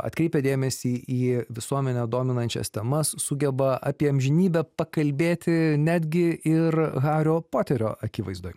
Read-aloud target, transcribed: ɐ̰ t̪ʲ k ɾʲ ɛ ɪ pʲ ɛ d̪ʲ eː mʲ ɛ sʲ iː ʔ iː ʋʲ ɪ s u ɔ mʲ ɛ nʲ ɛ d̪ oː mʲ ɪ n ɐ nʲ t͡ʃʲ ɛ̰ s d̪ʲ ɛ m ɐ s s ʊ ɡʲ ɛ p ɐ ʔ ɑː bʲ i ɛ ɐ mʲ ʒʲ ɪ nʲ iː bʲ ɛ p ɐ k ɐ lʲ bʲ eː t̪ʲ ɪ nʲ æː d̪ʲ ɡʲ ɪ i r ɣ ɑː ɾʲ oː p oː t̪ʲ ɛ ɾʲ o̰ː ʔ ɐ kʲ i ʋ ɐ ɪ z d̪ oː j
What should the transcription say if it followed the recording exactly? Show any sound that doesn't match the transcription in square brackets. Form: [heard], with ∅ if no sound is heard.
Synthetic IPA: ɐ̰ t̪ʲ k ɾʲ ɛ ɪ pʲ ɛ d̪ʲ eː mʲ ɛ sʲ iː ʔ iː ʋʲ ɪ s u ɔ mʲ ɛ nʲ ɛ d̪ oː mʲ ɪ n ɐ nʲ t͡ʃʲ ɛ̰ s [t̪ʲ] ɛ m ɐ s s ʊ ɡʲ ɛ [b] ɐ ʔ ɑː [pʲ] i ɛ ɐ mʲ ʒʲ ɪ nʲ iː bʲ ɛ p ɐ k ɐ lʲ bʲ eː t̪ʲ ɪ nʲ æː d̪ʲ ɡʲ ɪ [ɪ] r ɣ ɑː ɾʲ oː p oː t̪ʲ ɛ ɾʲ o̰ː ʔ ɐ kʲ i ʋ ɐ ɪ z d̪ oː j